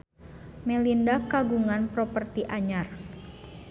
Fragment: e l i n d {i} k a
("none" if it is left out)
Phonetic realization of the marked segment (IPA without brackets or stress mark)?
a